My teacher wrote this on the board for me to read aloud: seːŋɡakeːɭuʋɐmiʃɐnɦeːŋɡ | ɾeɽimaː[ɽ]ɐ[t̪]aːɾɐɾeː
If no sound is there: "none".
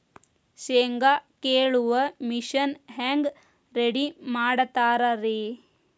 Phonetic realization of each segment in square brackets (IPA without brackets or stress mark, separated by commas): ɽ, t̪